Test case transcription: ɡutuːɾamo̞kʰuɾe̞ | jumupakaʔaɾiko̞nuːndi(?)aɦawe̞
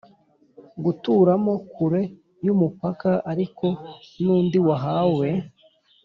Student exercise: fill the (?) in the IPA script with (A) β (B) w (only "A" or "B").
B